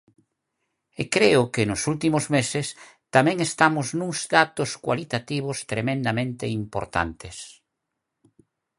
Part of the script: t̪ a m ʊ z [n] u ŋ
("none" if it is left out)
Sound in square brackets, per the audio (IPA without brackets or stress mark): n